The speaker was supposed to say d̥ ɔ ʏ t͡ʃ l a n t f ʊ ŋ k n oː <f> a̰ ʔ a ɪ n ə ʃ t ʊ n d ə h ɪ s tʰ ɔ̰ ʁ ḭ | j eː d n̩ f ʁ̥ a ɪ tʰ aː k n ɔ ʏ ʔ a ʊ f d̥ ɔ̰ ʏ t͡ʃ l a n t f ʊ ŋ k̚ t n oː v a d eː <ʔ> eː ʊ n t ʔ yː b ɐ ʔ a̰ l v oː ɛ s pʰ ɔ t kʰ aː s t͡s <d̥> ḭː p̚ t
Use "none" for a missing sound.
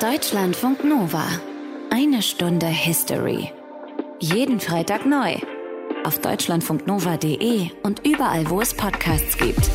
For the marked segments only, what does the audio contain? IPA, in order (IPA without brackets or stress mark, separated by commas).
v, ʔ, ɡ̥